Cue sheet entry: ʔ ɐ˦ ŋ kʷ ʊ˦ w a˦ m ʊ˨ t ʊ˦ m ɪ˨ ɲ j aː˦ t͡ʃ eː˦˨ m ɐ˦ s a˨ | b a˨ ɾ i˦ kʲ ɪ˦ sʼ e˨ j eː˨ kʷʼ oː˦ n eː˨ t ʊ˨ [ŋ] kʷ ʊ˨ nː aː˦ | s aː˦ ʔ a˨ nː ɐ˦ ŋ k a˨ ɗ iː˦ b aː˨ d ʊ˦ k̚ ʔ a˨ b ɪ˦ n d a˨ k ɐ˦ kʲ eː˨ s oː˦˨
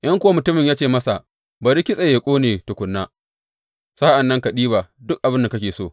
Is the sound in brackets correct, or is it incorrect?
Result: incorrect